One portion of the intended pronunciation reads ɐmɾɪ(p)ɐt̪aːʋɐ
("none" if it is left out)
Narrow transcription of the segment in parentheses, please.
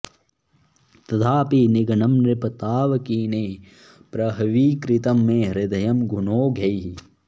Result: p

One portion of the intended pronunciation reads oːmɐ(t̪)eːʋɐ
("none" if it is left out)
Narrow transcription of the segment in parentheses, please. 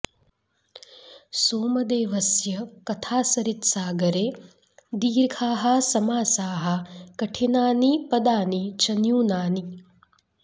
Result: d̪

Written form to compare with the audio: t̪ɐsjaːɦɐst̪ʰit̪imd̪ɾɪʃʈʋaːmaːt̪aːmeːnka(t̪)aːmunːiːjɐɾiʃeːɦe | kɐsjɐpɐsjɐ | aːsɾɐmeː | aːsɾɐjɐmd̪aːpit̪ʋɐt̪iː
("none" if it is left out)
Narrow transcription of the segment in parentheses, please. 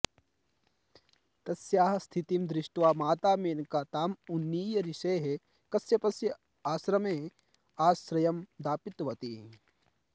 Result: t̪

